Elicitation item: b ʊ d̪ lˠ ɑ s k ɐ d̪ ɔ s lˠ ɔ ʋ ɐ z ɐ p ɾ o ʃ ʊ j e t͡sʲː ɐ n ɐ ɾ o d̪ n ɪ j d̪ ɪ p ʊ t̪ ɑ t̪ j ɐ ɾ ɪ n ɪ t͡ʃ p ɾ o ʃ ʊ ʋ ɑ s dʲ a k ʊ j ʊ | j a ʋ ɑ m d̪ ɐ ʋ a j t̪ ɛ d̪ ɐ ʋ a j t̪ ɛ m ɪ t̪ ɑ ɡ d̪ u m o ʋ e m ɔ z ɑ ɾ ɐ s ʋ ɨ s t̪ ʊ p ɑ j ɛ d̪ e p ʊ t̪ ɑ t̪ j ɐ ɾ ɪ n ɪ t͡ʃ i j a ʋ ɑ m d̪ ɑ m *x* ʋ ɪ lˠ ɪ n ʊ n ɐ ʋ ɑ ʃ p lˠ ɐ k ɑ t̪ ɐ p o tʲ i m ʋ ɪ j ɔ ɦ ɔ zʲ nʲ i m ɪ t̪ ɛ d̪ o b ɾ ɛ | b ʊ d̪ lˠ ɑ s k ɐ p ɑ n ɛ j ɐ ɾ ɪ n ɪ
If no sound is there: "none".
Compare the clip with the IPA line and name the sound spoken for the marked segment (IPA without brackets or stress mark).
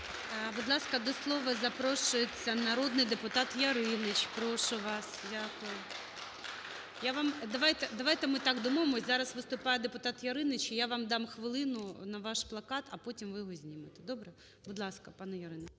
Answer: x